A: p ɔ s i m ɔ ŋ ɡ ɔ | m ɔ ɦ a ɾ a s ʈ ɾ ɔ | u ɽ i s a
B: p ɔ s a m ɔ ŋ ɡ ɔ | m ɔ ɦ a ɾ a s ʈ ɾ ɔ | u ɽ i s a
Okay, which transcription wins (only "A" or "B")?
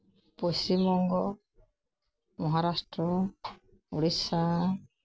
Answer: A